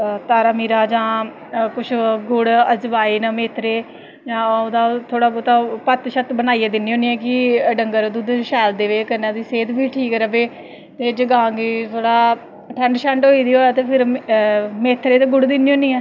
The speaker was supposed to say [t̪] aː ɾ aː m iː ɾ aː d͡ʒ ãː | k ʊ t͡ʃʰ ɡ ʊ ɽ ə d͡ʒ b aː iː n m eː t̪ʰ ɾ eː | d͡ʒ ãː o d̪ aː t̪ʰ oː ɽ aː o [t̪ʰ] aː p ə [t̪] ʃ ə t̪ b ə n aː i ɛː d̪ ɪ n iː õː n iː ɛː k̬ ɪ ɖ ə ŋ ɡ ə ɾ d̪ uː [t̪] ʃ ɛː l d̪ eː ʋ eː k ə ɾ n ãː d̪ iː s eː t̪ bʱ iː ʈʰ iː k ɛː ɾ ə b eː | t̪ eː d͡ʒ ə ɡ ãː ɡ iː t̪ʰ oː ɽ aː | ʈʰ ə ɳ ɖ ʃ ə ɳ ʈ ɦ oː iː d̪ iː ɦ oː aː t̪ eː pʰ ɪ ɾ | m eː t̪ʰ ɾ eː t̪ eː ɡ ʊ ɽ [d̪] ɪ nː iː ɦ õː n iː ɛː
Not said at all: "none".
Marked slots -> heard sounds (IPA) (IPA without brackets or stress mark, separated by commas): t̪, t̪, t̪, d̪, d̪